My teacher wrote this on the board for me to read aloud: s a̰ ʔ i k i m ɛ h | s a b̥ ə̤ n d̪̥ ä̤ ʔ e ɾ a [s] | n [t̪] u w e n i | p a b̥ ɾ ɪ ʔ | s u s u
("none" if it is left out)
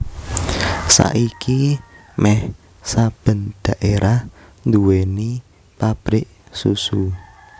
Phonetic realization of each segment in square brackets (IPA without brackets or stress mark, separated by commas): h, d̪